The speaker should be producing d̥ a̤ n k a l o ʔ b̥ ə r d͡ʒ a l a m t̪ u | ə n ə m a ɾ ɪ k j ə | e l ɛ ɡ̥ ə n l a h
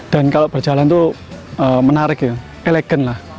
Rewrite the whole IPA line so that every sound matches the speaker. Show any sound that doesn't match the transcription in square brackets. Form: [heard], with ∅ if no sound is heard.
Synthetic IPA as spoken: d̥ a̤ n k a l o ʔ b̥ ə r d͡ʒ a l a [n] t̪ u | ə [m] ə [n] a ɾ ɪ k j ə | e l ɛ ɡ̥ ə n l a h